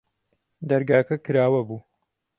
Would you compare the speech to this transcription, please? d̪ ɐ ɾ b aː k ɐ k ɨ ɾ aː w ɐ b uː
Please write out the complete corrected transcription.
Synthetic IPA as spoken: d̪ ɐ ɾ ɡ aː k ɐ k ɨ ɾ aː w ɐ b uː